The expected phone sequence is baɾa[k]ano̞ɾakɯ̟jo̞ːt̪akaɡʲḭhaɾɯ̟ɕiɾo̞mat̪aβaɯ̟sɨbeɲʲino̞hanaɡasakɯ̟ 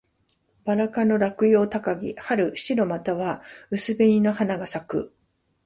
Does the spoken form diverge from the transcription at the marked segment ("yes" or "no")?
no